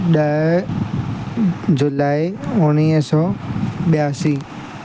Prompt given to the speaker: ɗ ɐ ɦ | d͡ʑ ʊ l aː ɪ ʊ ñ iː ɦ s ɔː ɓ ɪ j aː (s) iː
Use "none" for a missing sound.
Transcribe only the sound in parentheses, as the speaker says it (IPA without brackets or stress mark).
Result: s